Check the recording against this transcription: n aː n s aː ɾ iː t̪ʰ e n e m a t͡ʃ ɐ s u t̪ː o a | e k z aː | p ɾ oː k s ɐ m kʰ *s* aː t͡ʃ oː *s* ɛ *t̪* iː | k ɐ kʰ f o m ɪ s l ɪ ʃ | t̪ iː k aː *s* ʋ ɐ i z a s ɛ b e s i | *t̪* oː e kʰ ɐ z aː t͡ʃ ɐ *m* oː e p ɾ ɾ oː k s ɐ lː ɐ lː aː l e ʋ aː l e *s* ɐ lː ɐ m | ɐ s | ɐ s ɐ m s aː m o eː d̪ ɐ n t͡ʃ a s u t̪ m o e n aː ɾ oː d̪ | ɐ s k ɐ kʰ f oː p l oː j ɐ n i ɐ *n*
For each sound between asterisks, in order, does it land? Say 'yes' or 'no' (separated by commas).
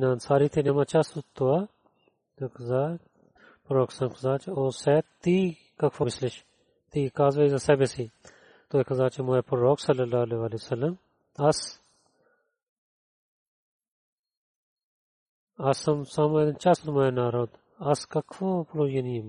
no, yes, yes, no, yes, yes, yes, no